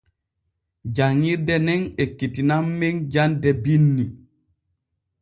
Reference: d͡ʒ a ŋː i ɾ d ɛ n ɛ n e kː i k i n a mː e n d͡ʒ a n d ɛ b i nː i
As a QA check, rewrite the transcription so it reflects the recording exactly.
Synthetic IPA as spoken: d͡ʒ a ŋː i ɾ d ɛ n ɛ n e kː i t i n a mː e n d͡ʒ a n d ɛ b i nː i